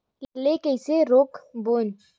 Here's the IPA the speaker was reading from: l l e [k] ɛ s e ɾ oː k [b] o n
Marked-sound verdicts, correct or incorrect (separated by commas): correct, correct